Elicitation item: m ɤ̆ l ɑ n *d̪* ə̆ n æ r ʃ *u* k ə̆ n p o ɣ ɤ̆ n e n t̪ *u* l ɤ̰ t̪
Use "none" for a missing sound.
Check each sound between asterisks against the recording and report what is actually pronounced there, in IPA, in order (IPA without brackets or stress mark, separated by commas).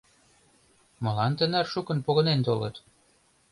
t̪, u, o